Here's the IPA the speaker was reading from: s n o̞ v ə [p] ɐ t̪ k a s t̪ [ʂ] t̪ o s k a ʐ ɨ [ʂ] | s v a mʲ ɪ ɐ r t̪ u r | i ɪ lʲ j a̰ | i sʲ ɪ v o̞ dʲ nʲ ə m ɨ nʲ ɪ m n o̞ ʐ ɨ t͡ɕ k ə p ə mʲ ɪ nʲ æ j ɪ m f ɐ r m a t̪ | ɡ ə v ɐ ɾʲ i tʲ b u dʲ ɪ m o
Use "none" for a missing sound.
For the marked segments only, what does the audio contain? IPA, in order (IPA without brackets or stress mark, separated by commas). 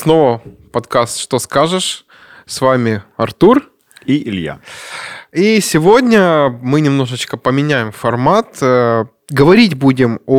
p, ʂ, ʂ